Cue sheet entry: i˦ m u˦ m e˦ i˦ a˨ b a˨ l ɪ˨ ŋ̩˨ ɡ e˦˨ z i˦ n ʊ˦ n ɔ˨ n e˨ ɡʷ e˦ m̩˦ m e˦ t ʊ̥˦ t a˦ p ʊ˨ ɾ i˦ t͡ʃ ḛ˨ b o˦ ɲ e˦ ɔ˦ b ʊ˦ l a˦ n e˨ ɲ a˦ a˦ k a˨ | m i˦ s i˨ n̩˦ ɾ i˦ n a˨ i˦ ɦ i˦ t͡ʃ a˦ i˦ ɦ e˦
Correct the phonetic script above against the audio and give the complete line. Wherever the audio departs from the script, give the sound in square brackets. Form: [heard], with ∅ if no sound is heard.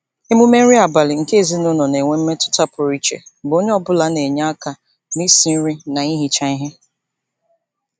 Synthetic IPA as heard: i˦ m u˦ m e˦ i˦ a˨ b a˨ l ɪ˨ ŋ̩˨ [k] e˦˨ z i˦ n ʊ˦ n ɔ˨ n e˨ [ŋʷ] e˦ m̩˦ m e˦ t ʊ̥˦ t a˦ p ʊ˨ ɾ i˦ t͡ʃ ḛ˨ b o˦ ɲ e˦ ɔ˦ b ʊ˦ l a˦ n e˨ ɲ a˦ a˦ k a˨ | m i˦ s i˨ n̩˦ ɾ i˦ n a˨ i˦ ɦ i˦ t͡ʃ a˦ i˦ ɦ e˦